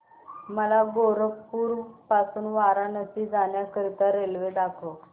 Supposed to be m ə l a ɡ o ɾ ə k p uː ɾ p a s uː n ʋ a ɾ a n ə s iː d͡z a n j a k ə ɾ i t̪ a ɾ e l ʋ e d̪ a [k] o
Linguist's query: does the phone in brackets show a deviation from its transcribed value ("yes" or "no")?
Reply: yes